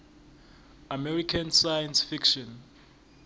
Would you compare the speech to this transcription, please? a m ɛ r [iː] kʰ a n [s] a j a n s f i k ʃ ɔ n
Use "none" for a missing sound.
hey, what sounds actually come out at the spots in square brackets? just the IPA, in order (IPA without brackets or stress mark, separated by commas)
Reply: i, s